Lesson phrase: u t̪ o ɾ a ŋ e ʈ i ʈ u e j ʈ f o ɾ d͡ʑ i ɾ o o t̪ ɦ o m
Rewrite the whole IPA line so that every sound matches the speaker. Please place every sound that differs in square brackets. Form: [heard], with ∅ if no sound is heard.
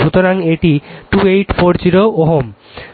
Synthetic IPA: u t̪ o ɾ a ŋ e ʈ i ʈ u e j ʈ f o ɾ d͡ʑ i ɾ o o [∅] ɦ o m